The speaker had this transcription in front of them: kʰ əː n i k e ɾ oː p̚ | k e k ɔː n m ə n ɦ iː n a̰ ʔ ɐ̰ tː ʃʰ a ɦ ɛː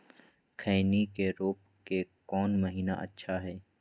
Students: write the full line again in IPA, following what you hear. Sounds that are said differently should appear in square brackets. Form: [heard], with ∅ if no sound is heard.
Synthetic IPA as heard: kʰ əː n i k e ɾ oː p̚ | k e k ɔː n m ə [∅] ɦ iː n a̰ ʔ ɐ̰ tː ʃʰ a ɦ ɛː